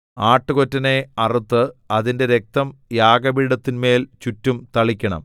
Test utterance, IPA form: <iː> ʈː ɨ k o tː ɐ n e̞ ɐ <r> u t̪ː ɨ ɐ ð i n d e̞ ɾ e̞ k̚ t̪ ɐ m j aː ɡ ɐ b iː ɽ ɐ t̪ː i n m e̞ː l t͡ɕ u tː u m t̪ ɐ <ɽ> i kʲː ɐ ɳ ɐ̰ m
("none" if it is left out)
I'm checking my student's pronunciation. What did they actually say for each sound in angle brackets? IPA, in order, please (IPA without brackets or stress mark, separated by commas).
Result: aː, r, ɭ